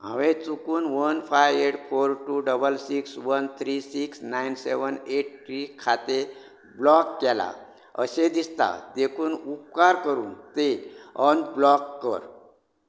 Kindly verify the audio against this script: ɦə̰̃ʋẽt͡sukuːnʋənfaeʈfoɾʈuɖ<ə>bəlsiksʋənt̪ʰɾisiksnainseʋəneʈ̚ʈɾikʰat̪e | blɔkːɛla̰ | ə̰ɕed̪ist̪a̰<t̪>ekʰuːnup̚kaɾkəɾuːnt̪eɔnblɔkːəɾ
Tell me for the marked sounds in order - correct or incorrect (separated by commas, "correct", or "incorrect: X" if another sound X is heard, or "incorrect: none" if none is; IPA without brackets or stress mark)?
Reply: correct, incorrect: d̪